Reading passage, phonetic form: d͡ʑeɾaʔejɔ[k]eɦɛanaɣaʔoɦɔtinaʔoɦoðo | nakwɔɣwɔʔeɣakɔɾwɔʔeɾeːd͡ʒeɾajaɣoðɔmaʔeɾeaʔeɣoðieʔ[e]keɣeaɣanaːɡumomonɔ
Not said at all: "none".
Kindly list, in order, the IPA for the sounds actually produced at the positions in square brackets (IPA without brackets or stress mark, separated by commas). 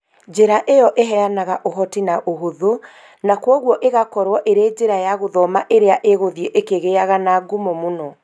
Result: ʔ, e